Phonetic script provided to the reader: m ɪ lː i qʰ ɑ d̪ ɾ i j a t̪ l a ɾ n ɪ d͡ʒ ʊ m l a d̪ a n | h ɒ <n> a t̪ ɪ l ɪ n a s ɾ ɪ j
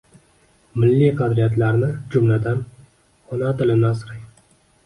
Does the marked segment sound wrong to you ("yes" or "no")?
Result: no